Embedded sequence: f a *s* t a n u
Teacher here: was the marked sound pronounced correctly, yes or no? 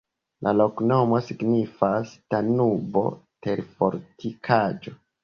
yes